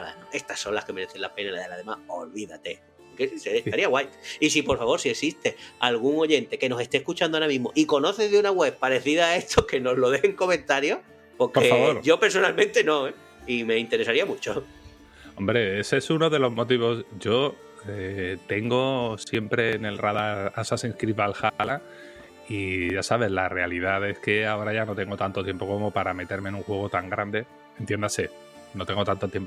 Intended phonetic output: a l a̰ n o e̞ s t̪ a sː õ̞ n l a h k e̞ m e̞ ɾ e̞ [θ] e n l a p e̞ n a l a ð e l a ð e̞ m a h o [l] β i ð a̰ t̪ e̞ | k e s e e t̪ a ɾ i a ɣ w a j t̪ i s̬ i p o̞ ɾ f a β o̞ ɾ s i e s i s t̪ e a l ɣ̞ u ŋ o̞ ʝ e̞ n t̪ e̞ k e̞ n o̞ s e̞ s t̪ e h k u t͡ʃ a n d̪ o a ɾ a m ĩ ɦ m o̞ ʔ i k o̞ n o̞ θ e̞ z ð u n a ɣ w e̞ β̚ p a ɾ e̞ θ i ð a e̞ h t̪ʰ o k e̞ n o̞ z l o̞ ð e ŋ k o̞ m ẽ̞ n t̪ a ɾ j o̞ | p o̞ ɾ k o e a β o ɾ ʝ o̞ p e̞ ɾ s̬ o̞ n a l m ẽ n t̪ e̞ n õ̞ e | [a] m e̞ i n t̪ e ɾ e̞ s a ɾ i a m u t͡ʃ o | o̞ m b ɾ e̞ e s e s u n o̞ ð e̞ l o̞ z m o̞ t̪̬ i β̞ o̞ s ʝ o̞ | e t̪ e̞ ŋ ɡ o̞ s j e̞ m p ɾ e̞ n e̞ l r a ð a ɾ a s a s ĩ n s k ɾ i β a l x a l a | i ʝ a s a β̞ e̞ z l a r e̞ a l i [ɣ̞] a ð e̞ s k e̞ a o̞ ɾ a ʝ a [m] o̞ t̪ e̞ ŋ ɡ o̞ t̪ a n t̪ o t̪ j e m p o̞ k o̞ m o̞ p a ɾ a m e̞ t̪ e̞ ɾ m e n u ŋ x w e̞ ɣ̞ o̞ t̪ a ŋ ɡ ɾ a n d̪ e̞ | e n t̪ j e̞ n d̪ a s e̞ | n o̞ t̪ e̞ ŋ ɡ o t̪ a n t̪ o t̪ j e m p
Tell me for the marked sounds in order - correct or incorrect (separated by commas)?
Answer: correct, correct, incorrect, incorrect, incorrect